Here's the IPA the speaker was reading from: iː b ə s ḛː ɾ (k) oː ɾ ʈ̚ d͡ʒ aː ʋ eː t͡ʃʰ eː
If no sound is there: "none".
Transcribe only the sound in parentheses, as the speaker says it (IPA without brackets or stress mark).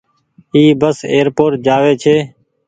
p